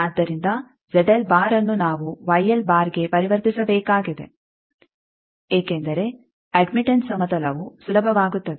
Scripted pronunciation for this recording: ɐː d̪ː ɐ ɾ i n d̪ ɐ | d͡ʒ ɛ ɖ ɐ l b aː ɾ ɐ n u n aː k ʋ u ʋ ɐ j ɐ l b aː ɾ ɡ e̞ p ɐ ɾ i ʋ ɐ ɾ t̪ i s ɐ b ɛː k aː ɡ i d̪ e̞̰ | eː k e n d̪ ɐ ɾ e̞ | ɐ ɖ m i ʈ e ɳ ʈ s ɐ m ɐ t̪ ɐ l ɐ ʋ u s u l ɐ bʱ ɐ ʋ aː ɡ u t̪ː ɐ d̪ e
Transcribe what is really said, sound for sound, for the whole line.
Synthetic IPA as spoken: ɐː d̪ː ɐ ɾ i n d̪ ɐ | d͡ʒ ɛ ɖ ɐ l b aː ɾ ɐ nː u n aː ʋ u ʋ ɐ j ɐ l b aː ɾ ɡ e̞ p ɐ ɾ i ʋ ɐ ɾ t̪ i s ɐ b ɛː k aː ɡ i d̪ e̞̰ | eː k e n d̪ ɐ ɾ e̞ | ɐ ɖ m i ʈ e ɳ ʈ s ɐ m ɐ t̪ ɐ l ɐ ʋ u s u l ɐ bʱ ɐ ʋ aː ɡ u t̪ː ɐ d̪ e